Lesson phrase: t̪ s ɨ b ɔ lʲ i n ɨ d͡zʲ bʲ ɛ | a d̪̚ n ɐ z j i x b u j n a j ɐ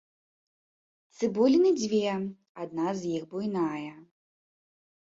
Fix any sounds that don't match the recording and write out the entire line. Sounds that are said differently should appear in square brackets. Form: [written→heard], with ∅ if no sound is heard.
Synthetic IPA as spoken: t̪ s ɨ b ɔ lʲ i n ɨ d͡zʲ [bʲ→vʲ] ɛ | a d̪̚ n [ɐ→a] z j i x b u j n a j ɐ